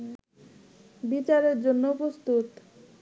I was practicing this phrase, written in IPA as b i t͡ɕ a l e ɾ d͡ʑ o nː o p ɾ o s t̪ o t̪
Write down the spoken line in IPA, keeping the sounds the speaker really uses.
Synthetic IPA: b i t͡ɕ a ɾ e ɾ d͡ʑ o nː o p ɾ o s t̪ u t̪